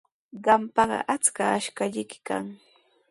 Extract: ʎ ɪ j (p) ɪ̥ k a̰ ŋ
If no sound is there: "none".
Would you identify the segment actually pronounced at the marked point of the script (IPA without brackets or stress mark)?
k